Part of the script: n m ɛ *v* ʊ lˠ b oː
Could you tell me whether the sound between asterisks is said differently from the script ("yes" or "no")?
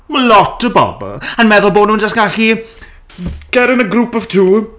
yes